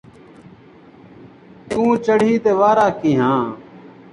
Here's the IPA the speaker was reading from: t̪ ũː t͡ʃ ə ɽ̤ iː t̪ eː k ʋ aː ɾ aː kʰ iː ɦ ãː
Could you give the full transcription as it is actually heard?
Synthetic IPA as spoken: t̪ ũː t͡ʃ ə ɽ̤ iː t̪ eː ʋ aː ɾ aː k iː ɦ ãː

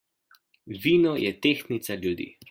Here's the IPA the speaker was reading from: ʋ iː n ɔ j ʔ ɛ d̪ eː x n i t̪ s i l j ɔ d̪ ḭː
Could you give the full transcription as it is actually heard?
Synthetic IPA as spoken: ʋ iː n ɔ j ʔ ɛ t̪ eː x n i t̪ s a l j u d̪ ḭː

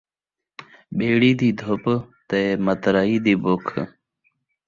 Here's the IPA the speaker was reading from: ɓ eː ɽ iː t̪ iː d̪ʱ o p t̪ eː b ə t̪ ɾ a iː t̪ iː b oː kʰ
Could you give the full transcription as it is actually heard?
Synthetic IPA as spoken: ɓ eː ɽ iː d̪ iː d̪ʱ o p t̪ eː m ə t̪ ɾ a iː d̪ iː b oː kʰ

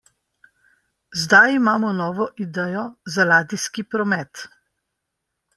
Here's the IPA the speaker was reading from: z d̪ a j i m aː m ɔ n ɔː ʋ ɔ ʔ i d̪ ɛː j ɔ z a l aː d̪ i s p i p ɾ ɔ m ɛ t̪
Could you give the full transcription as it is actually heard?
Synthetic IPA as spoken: z d̪ a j i m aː m ɔ n ɔː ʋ ɔ ʔ i d̪ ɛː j ɔ z a l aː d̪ i s k i p ɾ ɔ m ɛ t̪

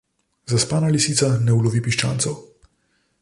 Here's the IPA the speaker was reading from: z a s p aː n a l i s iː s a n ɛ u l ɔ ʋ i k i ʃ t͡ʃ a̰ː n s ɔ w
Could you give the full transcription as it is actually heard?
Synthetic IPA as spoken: z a s p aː n a l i s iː s a n ɛ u l ɔ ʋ i p i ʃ t͡ʃ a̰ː n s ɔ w

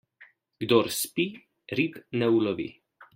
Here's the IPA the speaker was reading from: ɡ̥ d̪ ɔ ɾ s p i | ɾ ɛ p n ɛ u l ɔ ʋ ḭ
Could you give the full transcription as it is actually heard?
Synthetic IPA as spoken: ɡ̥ d̪ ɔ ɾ s p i | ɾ i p n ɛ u l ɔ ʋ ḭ

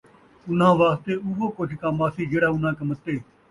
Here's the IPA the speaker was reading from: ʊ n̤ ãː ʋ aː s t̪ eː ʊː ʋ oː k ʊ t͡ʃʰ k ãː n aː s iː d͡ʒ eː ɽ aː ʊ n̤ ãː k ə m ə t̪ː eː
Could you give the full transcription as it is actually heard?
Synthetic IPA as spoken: ʊ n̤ ãː ʋ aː s t̪ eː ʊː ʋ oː k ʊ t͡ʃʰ k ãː m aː s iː d͡ʒ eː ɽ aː ʊ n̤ ãː k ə m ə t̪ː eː

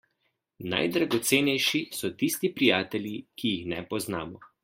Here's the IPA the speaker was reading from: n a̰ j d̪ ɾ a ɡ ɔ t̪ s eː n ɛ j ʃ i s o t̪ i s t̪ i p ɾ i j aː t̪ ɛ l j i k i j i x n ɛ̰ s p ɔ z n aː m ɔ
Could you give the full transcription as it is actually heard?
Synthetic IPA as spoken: n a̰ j d̪ ɾ a ɡ ɔ t̪ s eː n ɛ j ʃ i s ɔ t̪ i s t̪ i p ɾ i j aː t̪ ɛ l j i k i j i x n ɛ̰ p ɔ z n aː m ɔ

